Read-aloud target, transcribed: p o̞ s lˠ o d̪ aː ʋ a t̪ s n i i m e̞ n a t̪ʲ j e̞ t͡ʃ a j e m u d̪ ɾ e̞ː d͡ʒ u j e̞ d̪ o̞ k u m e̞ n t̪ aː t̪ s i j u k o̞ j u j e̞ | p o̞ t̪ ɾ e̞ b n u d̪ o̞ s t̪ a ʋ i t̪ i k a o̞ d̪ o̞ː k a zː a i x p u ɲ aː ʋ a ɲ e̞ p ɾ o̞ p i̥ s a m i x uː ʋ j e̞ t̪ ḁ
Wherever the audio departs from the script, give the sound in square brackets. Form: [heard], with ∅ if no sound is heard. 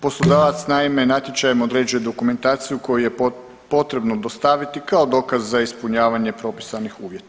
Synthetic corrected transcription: p o̞ s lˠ o d̪ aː ʋ a t̪ s n [a] i m e̞ n a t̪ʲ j e̞ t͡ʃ a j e m [o] d̪ ɾ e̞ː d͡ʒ u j e̞ d̪ o̞ k u m e̞ n t̪ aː t̪ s i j u k o̞ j u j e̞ | p o̞ t̪ ɾ e̞ b n [o] d̪ o̞ s t̪ a ʋ i t̪ i k a o̞ d̪ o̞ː k a zː a i [s] p u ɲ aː ʋ a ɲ e̞ p ɾ o̞ p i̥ s a [n] i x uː ʋ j e̞ t̪ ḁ